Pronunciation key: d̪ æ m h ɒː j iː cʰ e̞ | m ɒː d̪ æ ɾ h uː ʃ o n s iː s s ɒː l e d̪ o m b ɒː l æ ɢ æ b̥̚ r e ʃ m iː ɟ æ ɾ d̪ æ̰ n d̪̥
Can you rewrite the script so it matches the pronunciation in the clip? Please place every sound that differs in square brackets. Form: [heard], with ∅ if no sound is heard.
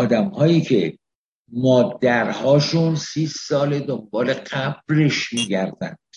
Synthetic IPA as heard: d̪ æ m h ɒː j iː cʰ e̞ | m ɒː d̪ æ ɾ h [ɒː] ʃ [u] n s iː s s ɒː l e d̪ o m b ɒː l [e] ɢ æ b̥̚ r e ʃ m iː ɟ æ ɾ d̪ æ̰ n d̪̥